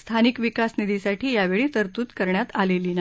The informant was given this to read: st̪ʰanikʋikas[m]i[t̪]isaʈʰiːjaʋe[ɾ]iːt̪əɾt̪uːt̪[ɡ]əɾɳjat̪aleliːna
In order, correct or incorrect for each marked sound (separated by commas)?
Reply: incorrect, incorrect, incorrect, incorrect